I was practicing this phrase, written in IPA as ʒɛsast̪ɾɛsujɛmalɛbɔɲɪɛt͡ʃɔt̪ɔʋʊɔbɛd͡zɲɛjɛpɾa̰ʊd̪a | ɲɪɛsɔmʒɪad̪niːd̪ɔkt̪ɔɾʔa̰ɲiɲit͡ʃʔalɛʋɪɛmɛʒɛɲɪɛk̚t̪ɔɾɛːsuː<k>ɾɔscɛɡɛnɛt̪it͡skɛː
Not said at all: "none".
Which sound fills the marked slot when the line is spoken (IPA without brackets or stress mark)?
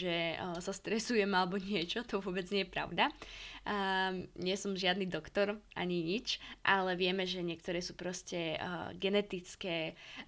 p